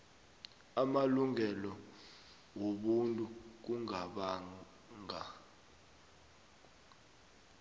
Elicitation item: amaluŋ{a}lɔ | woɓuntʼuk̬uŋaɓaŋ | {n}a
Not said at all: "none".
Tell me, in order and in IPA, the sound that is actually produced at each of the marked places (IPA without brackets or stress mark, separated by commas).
ɛ, ŋ